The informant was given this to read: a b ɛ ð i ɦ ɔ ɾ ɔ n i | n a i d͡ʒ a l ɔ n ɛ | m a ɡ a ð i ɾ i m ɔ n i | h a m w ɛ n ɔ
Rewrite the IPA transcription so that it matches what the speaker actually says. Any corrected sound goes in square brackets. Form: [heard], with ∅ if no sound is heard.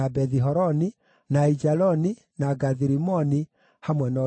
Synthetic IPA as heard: a b ɛ ð i ɦ ɔ ɾ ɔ n i | n a i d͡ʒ a l ɔ n [i] | [n] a ɡ a ð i ɾ i m ɔ n i | h a m w ɛ n ɔ